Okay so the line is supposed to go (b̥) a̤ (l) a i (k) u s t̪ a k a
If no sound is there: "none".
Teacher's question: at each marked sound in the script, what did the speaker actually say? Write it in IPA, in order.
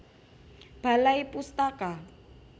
b̥, l, p

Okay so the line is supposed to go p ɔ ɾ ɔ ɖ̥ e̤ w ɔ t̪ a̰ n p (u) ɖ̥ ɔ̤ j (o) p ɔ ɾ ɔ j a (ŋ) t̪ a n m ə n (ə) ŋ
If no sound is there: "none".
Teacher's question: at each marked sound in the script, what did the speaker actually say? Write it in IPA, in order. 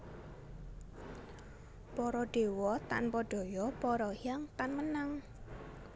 ɔ, ɔ, ŋ, a

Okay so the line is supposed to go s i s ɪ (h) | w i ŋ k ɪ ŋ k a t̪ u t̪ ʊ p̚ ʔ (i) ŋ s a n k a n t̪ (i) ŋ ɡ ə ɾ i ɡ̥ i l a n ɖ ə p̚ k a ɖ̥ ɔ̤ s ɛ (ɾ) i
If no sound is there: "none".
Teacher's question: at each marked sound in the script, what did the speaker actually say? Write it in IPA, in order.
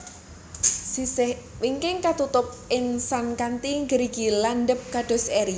h, ɪ, i, ɾ

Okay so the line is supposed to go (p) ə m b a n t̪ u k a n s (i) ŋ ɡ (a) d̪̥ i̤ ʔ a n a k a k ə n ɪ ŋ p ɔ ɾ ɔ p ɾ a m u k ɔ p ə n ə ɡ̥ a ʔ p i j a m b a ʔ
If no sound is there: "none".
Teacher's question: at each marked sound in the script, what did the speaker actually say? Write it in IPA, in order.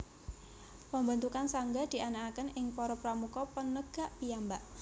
p, a, a

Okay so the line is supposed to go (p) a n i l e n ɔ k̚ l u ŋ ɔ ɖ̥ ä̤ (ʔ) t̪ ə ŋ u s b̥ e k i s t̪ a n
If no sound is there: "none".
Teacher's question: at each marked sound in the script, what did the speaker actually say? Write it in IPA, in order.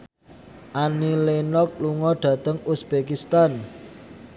ʔ, none

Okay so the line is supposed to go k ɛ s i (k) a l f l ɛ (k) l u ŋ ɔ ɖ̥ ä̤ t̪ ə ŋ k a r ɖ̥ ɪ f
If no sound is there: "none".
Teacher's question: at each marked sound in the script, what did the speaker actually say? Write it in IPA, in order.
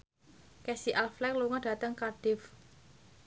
ʔ, k

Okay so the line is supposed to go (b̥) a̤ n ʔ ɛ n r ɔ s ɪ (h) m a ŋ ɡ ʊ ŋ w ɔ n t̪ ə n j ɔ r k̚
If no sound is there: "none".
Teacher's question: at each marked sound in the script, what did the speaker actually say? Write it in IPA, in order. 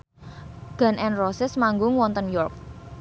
ɡ̥, s

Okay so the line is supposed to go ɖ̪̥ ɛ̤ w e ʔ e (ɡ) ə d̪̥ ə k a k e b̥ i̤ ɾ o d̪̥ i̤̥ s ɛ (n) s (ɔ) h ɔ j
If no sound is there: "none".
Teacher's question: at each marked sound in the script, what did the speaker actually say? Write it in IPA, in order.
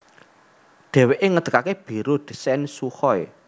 ŋ, n, u

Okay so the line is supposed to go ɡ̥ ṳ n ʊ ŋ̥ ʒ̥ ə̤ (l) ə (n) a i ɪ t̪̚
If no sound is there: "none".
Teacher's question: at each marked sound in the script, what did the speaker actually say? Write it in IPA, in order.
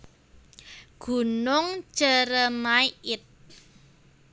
ɾ, m

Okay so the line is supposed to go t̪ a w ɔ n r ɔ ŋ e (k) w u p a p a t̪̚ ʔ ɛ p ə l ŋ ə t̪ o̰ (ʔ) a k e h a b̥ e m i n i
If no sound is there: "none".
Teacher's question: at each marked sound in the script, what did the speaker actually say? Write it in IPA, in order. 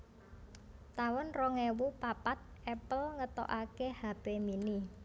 none, ʔ

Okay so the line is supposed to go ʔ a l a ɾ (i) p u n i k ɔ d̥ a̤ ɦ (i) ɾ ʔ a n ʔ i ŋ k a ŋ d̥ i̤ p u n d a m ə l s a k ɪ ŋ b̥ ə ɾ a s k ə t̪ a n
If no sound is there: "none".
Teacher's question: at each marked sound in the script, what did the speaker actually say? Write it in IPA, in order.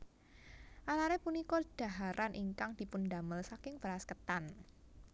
ɛ, a

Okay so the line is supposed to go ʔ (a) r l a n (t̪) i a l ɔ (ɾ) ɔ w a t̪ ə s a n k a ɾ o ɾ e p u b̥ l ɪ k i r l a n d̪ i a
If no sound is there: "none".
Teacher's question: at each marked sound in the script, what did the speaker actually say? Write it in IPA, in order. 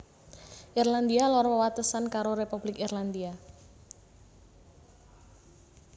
i, d̪, ɾ

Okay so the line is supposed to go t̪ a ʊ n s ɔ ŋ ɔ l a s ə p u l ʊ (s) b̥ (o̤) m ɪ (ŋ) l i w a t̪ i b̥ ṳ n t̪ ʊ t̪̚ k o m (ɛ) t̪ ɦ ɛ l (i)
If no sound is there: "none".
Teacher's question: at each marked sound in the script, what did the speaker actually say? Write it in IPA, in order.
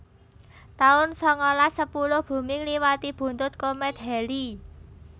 h, ṳ, ŋ, ɛ, i

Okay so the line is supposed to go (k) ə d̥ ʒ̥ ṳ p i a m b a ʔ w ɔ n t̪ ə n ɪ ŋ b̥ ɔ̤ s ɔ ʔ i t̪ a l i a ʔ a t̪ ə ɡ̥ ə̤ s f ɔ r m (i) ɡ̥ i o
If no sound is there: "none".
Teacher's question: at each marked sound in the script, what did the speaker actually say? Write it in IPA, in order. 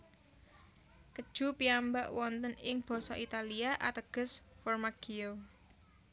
k, a

